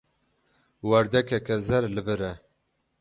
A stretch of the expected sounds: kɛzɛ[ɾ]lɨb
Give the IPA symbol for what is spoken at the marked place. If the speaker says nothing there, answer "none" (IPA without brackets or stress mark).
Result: ɾ